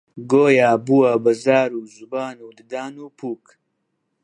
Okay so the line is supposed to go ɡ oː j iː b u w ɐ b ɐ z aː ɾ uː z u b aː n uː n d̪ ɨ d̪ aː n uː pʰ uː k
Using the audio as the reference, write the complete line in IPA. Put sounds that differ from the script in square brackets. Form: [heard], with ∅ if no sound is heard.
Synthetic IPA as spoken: ɡ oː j [aː] b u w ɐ b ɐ z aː ɾ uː z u b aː n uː [∅] d̪ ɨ d̪ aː n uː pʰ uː k